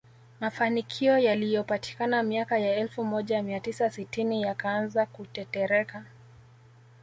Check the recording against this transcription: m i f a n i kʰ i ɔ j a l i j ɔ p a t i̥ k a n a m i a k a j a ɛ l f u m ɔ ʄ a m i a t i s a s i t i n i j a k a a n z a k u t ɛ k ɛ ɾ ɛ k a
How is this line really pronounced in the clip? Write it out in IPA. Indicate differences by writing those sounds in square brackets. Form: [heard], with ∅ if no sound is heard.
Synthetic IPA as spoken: m [a] f a n i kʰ i ɔ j a l i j ɔ p a t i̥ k a n a m i a k a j a ɛ l f u m ɔ ʄ a m i a t i s a s i t i n i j a k a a n z a k u t ɛ [t] ɛ ɾ ɛ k a